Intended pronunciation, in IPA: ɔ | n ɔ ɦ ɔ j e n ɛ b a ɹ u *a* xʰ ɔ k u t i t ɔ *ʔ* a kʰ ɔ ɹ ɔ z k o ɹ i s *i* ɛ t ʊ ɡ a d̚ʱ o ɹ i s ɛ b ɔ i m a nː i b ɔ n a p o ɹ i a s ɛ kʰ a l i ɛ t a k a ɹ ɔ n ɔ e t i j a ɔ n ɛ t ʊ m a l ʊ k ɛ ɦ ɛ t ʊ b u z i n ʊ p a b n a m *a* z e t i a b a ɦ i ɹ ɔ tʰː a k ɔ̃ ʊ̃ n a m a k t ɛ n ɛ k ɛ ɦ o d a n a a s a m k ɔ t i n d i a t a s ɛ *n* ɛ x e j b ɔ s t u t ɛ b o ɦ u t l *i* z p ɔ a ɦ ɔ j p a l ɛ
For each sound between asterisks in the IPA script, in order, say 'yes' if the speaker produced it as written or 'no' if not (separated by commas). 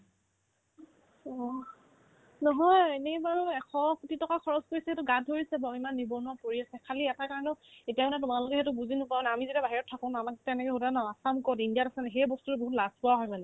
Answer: no, no, no, no, yes, no